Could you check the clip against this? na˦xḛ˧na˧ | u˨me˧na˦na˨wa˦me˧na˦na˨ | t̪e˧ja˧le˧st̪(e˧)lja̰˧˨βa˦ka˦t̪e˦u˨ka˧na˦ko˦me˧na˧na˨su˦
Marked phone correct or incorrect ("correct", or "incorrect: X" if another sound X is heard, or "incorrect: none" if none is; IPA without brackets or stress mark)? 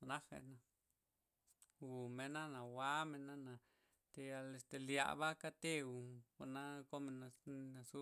correct